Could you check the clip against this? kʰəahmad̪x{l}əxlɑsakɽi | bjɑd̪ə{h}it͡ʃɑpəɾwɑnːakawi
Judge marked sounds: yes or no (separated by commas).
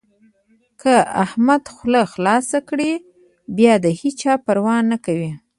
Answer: yes, yes